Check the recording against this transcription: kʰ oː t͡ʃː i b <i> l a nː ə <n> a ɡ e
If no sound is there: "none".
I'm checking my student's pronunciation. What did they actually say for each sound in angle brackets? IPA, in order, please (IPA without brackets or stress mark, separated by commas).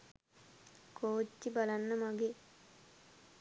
a, m